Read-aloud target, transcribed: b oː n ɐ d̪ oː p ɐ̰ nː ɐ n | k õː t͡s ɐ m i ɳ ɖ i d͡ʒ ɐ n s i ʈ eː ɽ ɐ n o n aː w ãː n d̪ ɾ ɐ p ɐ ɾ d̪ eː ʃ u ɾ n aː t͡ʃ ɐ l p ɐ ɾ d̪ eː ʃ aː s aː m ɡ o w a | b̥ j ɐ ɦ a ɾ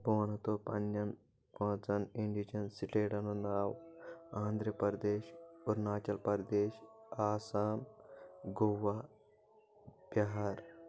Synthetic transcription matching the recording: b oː n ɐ t̪ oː p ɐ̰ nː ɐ n | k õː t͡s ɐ n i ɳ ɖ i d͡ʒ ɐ n s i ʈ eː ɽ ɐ n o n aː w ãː n d̪ ɾ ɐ p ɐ ɾ d̪ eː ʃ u ɾ n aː t͡ʃ ɐ l p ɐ ɾ d̪ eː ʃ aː s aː m ɡ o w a | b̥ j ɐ ɦ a ɾ